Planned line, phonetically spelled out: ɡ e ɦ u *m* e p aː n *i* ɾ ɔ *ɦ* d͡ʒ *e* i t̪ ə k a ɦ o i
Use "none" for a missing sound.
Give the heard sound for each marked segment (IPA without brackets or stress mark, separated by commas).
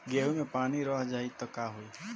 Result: m, i, ɦ, a